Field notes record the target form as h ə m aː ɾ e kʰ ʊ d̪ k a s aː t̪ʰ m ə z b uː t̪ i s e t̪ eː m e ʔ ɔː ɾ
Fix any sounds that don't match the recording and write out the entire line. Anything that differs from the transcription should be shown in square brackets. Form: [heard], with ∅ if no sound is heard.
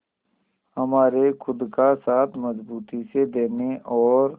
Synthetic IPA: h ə m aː ɾ e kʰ ʊ d̪ k a s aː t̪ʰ m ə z b uː t̪ i s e [d̪] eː [n] e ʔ ɔː ɾ